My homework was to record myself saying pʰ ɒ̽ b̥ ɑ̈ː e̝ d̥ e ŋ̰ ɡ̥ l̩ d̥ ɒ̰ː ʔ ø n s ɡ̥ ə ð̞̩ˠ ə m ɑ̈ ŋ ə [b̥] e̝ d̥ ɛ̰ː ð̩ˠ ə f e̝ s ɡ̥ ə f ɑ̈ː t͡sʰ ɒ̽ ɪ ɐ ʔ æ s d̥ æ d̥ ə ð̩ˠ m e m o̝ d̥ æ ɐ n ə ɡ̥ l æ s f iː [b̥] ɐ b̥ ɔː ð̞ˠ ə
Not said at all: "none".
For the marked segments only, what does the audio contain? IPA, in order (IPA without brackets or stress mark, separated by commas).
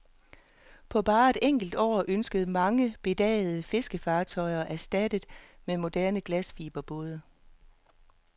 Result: b̥, b̥